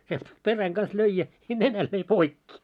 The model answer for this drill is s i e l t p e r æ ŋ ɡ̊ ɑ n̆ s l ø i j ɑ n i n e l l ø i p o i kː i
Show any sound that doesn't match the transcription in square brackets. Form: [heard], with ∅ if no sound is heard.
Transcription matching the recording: s i e l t p e r æ ŋ ɡ̊ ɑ n̆ s l ø i j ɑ n [e] n [æ] l l ø i p o i kː i

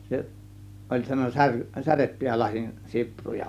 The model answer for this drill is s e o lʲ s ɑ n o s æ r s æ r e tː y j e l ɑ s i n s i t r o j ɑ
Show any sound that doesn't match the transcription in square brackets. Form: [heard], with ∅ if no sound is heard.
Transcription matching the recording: s e o lʲ s ɑ n o s æ r s æ r e tː y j [æ] l ɑ s i n s i [p] r [u] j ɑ

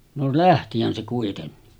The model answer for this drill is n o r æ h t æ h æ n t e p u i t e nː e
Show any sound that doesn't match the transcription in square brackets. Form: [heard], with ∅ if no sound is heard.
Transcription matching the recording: n o [l] æ h t [i] h æ n [s] e [k] u i t e nː [i]

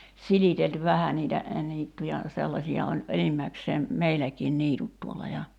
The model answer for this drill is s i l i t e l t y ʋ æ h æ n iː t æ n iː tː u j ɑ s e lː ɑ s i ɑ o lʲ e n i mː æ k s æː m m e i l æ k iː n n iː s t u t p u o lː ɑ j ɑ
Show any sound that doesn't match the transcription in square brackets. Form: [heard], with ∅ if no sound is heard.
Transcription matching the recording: s i l i t e l t y ʋ æ h æ n iː t æ n iː tː u j ɑ s e lː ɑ s i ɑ o lʲ e n i mː æ k s [eː] m m e i l æ k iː n n iː [∅] t u t [t] u o lː ɑ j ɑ

